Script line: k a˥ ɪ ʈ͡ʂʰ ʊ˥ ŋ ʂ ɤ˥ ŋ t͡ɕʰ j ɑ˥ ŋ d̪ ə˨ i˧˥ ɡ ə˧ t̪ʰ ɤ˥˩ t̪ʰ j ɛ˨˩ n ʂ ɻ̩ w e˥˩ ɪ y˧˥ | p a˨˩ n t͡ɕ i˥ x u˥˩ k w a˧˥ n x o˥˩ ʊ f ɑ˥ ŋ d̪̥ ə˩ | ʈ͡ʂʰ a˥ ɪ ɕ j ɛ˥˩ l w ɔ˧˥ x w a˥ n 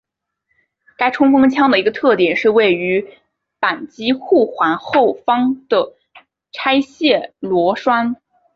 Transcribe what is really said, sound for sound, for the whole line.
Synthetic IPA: k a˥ ɪ ʈ͡ʂʰ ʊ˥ ŋ f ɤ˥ ŋ t͡ɕʰ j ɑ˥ ŋ d̪ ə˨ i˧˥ ɡ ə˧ t̪ʰ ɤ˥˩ t̪ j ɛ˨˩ n ʂ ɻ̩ w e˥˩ ɪ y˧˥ | p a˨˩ n t͡ɕ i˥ x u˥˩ x w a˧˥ n x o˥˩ ʊ f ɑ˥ ŋ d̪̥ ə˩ | ʈ͡ʂʰ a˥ ɪ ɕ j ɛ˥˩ l w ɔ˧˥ ʂ w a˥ n